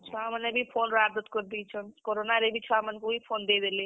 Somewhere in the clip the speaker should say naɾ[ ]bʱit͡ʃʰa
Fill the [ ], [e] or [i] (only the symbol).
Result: e